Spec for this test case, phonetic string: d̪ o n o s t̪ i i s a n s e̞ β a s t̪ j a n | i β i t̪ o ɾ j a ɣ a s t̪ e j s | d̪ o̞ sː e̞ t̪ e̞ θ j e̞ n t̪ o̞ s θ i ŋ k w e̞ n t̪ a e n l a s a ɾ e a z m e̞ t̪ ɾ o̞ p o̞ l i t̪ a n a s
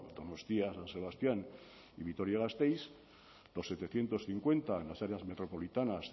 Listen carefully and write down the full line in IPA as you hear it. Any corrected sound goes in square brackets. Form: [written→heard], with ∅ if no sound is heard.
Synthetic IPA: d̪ o n o s t̪ i [i→a] s a n s e̞ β a s t̪ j a n | i β i t̪ o ɾ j a ɣ a s t̪ e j s | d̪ o̞ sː e̞ t̪ e̞ θ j e̞ n t̪ o̞ s θ i ŋ k w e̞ n t̪ a e n l a s a ɾ e a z m e̞ t̪ ɾ o̞ p o̞ l i t̪ a n a s

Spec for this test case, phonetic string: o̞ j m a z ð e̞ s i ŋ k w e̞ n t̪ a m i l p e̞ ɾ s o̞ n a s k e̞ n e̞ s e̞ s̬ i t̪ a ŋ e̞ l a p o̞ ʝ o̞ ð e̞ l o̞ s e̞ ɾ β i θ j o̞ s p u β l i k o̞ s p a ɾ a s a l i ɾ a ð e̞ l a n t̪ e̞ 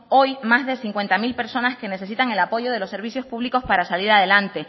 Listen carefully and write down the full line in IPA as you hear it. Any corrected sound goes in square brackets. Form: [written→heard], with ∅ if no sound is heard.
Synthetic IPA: o̞ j m a z ð e̞ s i ŋ k w e̞ n t̪ a m i l p e̞ ɾ s o̞ n a s k e̞ n e̞ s e̞ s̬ i t̪ a ŋ e̞ l a p o̞ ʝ o̞ ð e̞ l o̞ s e̞ ɾ β i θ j o̞ s p u β l i k o̞ s p a ɾ a s a l i ɾ a ð e̞ l a n t̪ e̞

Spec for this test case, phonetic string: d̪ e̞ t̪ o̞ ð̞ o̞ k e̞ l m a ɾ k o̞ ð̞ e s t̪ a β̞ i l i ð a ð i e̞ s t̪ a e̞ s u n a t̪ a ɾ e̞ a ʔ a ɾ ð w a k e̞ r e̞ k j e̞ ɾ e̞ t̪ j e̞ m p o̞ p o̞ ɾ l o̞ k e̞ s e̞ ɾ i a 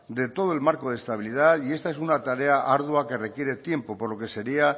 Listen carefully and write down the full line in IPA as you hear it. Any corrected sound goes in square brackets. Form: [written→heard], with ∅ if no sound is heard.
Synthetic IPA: d̪ e̞ t̪ o̞ ð̞ o̞ [k→∅] e̞ l m a ɾ k o̞ ð̞ e s t̪ a β̞ i l i ð a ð i e̞ s t̪ a e̞ s u n a t̪ a ɾ e̞ a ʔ a ɾ ð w a k e̞ r e̞ k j e̞ ɾ e̞ t̪ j e̞ m p o̞ p o̞ ɾ l o̞ k e̞ s e̞ ɾ i a

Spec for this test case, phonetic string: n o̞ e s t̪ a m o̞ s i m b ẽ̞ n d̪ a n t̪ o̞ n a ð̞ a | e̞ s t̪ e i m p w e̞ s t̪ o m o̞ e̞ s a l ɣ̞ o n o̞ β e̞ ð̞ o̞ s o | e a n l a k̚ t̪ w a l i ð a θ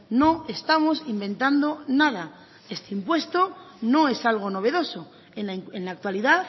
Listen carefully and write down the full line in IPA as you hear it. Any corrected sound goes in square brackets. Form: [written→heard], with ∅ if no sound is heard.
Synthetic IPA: n o̞ e s t̪ a m o̞ s i m b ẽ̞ n [d̪→t̪] a n [t̪→d̪] o̞ n a ð̞ a | e̞ s t̪ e i m p w e̞ s t̪ o [m→n] o̞ e̞ s a l ɣ̞ o n o̞ β e̞ ð̞ o̞ s o | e [a→e] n l a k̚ t̪ w a l i ð a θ

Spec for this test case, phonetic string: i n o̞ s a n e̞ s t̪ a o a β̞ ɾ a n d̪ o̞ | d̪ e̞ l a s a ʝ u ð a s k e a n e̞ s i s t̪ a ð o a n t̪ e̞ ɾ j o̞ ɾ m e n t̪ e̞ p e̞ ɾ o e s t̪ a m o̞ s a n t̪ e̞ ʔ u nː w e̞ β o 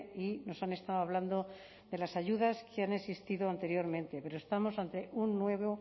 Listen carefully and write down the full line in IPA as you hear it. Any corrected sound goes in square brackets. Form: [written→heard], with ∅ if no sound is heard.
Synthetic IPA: i n o̞ s a n e̞ s t̪ a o a β̞ [ɾ→l] a n d̪ o̞ | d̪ e̞ l a s a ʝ u ð a s k e a n e̞ s i s t̪ [a→i] ð o a n t̪ e̞ ɾ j o̞ ɾ m [e→ẽ] n t̪ e̞ p e̞ ɾ o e s t̪ a m o̞ s a n t̪ e̞ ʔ u nː w e̞ β o

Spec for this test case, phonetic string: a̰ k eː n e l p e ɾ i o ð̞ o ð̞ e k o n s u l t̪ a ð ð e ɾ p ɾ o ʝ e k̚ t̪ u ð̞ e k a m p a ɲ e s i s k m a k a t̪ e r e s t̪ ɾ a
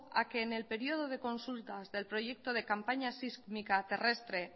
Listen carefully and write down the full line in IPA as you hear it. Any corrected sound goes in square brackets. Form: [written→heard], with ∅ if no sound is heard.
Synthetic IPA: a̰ k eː n e l p e ɾ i o ð̞ o ð̞ e k o n s u l t̪ a [ð→z] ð e [ɾ→l] p ɾ o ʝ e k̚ t̪ [u→o] ð̞ e k a m p a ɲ [e→a] s i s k m [a→i] k a t̪ e r e s t̪ ɾ [a→e]

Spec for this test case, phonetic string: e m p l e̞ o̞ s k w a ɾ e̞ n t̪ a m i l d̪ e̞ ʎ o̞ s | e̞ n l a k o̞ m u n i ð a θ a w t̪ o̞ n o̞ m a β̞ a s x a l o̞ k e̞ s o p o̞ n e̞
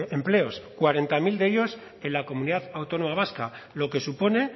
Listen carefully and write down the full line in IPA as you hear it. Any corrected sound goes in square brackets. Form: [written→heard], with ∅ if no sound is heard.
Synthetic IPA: e m p l e̞ o̞ s k w a ɾ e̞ n t̪ a m i l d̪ e̞ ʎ o̞ s | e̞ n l a k o̞ m u n i ð a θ a w t̪ o̞ n o̞ m a β̞ a s [x→k] a l o̞ k e̞ s [o→u] p o̞ n e̞

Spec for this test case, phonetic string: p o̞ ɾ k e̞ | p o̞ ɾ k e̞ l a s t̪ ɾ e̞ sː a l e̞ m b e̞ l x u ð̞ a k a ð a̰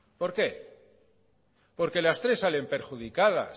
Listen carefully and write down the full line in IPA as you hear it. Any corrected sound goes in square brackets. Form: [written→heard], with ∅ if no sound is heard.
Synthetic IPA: p o̞ ɾ k e̞ | p o̞ ɾ k e̞ l a s t̪ ɾ e̞ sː a l e̞ m [b→p] e̞ [l→ɾ] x u ð̞ [a→i] k a ð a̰

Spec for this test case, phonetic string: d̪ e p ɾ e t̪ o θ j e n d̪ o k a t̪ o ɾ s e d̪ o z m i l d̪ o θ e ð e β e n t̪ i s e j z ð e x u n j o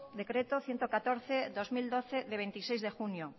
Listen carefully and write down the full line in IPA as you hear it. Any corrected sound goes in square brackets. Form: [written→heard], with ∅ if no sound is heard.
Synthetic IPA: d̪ e [p→k] ɾ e t̪ o θ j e n [d̪→t̪] o k a t̪ o ɾ [s→θ] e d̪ o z m i l d̪ o θ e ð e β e n t̪ i s e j z ð e x u n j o

